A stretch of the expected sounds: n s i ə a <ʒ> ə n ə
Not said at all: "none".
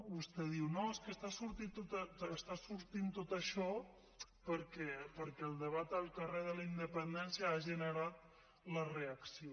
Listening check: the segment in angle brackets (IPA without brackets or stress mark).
ʒ